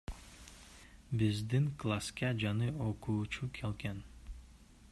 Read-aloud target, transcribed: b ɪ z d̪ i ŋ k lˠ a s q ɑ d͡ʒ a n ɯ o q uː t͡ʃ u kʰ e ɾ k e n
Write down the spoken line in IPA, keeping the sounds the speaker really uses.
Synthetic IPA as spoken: b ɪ z d̪ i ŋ k lˠ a s k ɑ d͡ʒ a n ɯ o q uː t͡ʃ u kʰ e l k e n